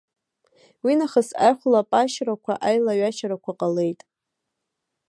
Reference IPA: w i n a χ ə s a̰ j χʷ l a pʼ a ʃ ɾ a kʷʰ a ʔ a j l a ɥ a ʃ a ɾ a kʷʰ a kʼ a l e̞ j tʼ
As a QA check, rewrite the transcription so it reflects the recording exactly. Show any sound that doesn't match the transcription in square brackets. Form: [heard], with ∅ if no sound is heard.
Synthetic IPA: w i n a χ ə s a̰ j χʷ l a pʼ a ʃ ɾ a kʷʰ a ʔ a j l a ɥ a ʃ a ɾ a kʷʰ a [qʼ] a l e̞ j tʼ